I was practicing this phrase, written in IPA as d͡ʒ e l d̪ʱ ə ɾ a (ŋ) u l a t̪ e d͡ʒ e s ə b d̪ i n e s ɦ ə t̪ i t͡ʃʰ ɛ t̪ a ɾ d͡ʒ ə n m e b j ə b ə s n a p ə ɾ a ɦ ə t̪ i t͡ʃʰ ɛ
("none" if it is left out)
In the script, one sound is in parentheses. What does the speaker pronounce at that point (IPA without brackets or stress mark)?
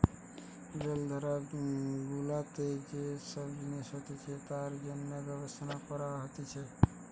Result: ɡ